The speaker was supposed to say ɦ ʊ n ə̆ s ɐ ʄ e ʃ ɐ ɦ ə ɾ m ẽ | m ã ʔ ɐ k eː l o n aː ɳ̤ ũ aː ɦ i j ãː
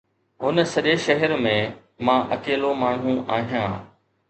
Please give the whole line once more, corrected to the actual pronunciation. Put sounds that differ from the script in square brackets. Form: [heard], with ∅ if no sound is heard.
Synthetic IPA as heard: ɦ ʊ n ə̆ s ɐ ʄ e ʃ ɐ ɦ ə ɾ m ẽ | m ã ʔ ɐ k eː l o [m] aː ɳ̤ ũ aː ɦ i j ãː